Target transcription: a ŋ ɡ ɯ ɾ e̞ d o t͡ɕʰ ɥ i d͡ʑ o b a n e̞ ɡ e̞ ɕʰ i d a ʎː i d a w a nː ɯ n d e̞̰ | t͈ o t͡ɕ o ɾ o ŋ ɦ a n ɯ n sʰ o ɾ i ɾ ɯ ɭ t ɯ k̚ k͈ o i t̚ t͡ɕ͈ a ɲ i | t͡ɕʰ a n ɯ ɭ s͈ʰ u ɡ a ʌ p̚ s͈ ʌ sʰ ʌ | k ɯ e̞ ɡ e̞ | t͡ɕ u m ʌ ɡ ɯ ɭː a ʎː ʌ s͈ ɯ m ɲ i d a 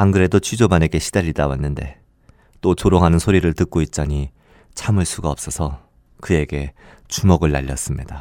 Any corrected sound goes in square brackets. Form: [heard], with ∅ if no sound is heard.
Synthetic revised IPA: a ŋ ɡ ɯ ɾ e̞ d o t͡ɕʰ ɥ i d͡ʑ o b a n e̞ ɡ e̞ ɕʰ i d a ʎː i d a w a nː ɯ n d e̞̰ | t͈ o t͡ɕ o ɾ o ŋ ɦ a n ɯ n sʰ o ɾ i ɾ ɯ ɭ t ɯ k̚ k͈ o i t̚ t͡ɕ͈ a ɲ i | t͡ɕʰ a [m] ɯ ɭ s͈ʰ u ɡ a ʌ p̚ s͈ ʌ sʰ ʌ | k ɯ e̞ ɡ e̞ | t͡ɕ u m ʌ ɡ ɯ ɭː a ʎː ʌ s͈ ɯ m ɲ i d a